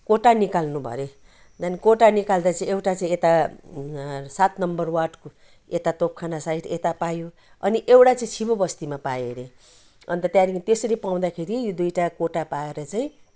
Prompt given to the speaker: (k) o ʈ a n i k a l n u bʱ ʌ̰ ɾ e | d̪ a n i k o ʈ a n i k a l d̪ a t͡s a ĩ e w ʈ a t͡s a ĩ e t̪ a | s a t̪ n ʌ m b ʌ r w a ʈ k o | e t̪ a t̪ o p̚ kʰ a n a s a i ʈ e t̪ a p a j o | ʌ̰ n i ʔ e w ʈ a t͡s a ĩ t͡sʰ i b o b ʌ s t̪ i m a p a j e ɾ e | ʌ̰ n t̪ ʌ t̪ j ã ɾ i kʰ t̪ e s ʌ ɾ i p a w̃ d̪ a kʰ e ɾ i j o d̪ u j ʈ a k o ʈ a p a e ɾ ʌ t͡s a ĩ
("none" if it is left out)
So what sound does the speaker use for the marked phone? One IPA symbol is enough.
k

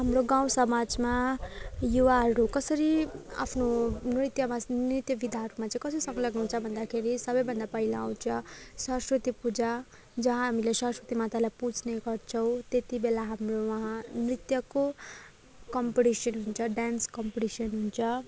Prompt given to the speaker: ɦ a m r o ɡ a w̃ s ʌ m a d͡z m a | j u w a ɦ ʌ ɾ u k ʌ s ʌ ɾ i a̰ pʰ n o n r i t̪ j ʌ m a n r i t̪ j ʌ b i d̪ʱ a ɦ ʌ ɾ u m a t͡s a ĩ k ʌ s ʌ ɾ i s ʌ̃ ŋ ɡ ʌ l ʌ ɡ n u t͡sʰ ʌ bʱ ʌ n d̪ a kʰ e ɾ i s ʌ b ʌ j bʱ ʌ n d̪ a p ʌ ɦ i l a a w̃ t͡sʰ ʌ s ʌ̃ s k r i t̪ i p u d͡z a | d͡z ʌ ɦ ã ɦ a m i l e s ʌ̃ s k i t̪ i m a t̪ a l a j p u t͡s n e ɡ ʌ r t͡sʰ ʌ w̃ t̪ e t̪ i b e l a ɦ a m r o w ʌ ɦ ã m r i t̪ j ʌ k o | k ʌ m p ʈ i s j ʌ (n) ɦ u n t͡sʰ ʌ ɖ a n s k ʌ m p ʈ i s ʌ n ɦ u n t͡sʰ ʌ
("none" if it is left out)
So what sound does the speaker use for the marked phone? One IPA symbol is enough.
n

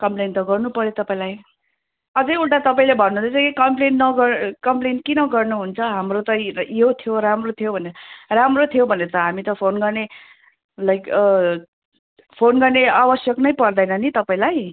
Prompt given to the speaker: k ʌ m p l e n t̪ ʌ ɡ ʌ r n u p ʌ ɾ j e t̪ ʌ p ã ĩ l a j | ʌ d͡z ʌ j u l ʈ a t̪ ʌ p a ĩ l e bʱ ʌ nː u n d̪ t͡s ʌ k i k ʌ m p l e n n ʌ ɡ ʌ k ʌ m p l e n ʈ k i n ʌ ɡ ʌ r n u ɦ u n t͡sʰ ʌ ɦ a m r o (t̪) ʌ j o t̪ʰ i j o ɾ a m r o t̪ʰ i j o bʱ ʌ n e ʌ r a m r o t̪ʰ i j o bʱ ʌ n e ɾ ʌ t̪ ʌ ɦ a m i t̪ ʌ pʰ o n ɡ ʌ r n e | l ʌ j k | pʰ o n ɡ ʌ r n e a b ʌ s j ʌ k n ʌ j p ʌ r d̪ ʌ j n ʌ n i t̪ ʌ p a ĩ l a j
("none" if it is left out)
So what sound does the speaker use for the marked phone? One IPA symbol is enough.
t̪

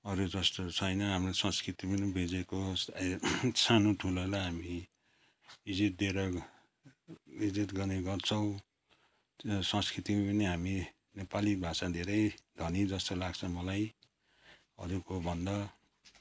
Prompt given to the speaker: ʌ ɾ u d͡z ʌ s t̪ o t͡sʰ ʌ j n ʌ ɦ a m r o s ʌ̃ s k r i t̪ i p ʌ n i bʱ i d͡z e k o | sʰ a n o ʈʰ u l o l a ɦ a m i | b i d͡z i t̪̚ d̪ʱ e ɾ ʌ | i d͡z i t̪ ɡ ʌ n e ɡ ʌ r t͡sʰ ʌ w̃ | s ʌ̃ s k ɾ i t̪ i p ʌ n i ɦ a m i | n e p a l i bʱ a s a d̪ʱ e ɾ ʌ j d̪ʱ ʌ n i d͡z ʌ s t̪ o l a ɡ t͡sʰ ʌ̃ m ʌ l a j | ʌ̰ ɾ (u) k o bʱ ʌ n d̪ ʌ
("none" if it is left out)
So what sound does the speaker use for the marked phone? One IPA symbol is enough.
u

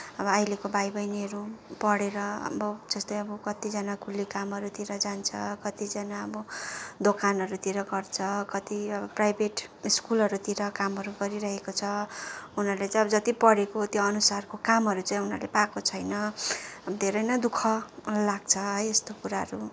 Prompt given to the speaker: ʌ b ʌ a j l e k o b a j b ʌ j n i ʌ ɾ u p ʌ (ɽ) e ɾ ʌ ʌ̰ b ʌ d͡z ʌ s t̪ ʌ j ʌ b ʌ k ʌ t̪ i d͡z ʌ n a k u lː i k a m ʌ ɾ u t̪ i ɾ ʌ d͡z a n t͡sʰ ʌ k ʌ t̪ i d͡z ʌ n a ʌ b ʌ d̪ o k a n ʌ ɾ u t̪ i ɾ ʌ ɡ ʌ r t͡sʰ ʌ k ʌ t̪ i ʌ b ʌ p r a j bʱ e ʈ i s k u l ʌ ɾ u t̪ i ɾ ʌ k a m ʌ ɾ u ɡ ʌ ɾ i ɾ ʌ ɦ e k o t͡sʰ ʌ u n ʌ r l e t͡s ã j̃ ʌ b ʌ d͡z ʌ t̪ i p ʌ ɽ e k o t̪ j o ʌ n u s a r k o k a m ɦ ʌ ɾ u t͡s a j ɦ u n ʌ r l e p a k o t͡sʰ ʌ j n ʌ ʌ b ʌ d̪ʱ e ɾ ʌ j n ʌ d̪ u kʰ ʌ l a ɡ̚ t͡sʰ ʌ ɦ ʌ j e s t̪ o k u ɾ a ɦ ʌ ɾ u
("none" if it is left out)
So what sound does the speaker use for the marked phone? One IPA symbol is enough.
ɽ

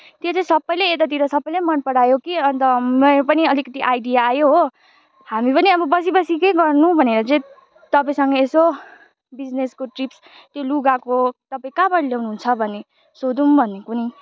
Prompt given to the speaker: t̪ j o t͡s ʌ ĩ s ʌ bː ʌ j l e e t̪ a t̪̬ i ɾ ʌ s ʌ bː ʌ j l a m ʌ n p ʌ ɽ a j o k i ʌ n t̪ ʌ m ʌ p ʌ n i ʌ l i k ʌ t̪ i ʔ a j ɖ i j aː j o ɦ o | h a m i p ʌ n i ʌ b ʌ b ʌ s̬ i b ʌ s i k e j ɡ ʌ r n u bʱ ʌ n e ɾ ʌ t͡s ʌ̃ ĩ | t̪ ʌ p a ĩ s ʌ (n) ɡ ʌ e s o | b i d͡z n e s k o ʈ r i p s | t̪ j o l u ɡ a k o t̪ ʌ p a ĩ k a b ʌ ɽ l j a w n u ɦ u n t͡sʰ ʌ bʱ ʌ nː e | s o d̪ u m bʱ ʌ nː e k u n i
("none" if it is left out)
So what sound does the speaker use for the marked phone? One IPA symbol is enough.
ŋ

